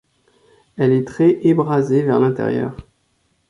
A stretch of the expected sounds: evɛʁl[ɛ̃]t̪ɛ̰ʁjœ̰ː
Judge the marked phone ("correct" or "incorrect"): correct